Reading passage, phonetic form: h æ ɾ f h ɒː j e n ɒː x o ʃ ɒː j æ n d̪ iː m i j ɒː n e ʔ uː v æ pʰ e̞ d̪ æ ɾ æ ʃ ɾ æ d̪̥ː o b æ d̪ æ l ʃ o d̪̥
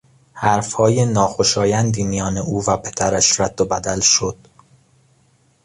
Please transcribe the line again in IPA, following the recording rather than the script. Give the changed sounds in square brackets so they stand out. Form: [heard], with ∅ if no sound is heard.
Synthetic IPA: h æ ɾ f h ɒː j e n ɒː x o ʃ ɒː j æ n d̪ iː m i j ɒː n e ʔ uː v æ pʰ e̞ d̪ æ ɾ æ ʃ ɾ æ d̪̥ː o b æ d̪ æ l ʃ o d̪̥